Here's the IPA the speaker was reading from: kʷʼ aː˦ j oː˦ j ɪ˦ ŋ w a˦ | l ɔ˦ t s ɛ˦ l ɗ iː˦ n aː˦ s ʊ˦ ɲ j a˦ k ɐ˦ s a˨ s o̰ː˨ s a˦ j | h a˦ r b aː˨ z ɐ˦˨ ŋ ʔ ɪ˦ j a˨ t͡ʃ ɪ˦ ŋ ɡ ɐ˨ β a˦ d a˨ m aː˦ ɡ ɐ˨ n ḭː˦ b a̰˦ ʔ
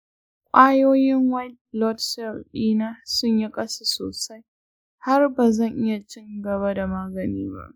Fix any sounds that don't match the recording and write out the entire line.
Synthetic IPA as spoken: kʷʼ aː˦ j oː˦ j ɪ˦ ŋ w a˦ | l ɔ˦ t s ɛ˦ l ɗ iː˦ n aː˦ s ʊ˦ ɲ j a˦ kʼ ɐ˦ s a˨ s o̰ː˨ s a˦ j | h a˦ r b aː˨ z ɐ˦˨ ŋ ʔ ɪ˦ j a˨ t͡ʃ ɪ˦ ŋ ɡ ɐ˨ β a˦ d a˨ m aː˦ ɡ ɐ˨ n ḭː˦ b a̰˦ ʔ